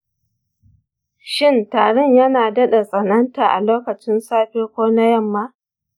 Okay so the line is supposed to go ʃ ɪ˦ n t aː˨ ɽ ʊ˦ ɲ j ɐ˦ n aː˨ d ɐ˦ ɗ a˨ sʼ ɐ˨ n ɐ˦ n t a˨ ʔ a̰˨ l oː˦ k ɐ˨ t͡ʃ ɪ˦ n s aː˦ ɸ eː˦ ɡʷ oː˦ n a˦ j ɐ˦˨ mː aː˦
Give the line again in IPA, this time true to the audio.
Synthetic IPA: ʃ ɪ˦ n t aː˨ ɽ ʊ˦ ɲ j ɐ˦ n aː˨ d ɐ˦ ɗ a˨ sʼ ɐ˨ n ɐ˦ n t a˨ ʔ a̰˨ l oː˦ k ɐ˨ t͡ʃ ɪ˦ n s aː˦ ɸ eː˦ kʷ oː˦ n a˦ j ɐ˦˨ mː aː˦